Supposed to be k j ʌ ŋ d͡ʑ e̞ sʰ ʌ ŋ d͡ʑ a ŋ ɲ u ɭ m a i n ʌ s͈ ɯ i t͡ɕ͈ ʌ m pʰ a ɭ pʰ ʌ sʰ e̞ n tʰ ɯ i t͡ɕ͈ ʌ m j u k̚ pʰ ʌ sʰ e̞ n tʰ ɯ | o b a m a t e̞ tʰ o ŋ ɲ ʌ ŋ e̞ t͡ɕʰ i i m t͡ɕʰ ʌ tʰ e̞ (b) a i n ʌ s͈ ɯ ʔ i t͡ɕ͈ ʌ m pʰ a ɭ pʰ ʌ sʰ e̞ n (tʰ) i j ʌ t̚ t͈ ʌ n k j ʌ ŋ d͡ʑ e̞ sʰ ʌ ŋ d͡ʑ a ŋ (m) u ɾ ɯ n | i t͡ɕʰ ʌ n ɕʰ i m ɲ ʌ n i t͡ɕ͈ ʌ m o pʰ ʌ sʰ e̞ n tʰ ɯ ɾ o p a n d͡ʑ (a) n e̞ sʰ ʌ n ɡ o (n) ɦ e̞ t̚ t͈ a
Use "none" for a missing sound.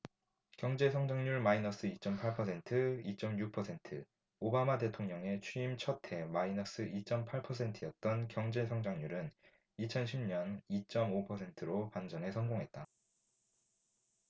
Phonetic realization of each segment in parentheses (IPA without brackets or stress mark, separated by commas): m, tʰ, ɲ, ʌ, ŋ